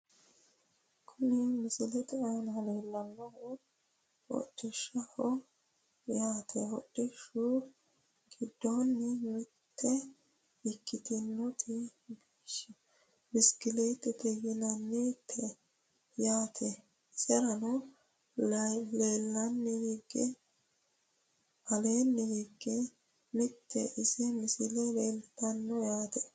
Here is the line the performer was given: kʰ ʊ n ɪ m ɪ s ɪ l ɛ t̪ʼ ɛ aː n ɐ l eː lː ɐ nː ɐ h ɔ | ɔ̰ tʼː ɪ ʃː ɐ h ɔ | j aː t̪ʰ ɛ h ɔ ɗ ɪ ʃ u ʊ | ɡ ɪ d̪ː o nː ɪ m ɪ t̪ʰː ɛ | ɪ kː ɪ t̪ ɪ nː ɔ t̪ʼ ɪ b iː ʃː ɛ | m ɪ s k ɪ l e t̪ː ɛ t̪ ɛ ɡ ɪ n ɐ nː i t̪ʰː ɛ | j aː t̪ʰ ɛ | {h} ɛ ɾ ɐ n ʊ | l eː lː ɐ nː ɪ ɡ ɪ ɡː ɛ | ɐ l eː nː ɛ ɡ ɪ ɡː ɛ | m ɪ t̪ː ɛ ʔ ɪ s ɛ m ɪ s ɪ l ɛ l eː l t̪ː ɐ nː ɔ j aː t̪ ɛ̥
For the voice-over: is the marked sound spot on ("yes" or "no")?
no